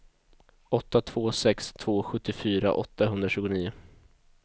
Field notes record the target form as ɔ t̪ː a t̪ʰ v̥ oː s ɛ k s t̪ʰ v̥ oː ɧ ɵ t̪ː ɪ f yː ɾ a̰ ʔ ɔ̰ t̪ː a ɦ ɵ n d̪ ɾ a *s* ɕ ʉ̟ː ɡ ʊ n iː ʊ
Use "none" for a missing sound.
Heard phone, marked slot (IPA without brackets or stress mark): none